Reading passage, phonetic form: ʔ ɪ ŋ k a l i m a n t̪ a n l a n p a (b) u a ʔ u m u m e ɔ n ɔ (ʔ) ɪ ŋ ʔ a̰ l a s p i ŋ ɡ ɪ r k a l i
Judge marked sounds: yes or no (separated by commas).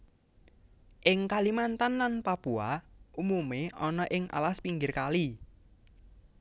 no, yes